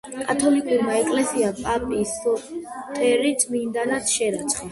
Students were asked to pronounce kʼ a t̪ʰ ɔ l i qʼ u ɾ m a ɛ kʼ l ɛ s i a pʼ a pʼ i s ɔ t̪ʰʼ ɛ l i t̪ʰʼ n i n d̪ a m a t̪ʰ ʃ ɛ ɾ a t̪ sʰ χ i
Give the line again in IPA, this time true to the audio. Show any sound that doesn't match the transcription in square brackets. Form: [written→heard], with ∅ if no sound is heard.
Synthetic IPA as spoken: kʼ a t̪ʰ ɔ l i [qʼ→kʼ] u ɾ m a ɛ kʼ l ɛ s i a pʼ a pʼ i s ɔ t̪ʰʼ ɛ [l→ɾ] i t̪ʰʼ [n→m] i n d̪ a [m→n] a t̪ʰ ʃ ɛ ɾ a t̪ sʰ χ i